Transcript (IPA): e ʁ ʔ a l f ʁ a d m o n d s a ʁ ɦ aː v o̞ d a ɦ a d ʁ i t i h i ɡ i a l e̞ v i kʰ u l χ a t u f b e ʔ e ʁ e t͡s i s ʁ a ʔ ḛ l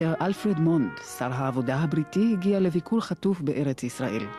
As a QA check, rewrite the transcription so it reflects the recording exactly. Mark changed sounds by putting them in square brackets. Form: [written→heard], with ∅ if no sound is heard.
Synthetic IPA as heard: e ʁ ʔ a l f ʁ [a→e] d m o n d s a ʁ ɦ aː v o̞ d a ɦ a [d→b] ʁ i t i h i ɡ i a l e̞ v i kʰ u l χ a t u f b e ʔ e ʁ e t͡s i s ʁ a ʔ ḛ l